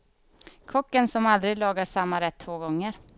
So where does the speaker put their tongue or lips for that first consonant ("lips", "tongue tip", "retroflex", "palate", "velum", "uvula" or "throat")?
velum